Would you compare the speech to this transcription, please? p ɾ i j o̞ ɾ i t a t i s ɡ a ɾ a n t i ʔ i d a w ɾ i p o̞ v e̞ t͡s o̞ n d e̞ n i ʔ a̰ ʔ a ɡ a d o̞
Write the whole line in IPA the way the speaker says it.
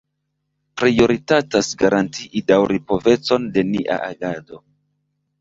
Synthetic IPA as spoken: p ɾ i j o̞ ɾ i t a t a s ɡ a ɾ a n t i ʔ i d a w ɾ i p o̞ v e̞ t͡s o̞ n d e̞ n i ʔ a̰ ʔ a ɡ a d o̞